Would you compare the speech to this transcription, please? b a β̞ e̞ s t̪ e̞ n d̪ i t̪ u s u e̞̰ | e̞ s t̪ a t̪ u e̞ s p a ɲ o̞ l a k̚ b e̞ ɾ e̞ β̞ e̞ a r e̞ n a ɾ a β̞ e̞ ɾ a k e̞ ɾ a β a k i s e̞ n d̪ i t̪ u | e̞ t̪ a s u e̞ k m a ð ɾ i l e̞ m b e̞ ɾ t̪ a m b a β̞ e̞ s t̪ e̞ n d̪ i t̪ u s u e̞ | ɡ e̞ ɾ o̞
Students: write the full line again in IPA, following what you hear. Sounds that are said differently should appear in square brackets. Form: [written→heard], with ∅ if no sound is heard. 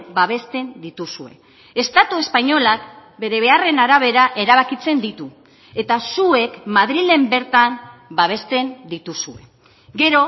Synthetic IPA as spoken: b a β̞ e̞ s t̪ e̞ n d̪ i t̪ u s u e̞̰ | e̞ s t̪ a t̪ u e̞ s p a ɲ o̞ l a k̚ b e̞ ɾ e̞ β̞ e̞ a r e̞ n a ɾ a β̞ e̞ ɾ a [k→ʔ] e̞ ɾ a β a k i [s→t͡s] e̞ n d̪ i t̪ u | e̞ t̪ a s u e̞ k m a ð ɾ i l e̞ m b e̞ ɾ t̪ a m b a β̞ e̞ s t̪ e̞ n d̪ i t̪ u s u e̞ | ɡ e̞ ɾ o̞